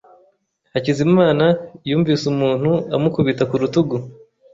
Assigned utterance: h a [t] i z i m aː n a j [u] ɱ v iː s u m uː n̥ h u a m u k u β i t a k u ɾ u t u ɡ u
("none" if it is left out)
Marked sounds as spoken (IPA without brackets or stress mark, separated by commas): c, uː